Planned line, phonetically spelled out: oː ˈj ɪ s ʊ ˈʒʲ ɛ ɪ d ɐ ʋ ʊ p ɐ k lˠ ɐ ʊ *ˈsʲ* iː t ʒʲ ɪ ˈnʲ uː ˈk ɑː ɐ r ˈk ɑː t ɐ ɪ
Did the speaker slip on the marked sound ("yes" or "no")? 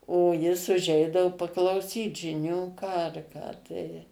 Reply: no